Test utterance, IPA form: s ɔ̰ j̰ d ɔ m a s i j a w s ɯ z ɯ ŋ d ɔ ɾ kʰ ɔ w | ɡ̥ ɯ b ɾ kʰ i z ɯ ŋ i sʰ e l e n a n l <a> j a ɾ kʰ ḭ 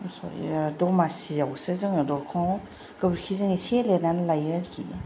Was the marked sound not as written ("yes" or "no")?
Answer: no